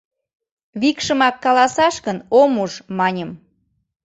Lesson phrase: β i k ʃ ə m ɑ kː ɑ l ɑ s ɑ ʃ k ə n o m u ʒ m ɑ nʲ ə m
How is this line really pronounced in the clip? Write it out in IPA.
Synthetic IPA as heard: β i k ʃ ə m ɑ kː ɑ l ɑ s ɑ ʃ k ə n o m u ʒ m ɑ nʲ ə m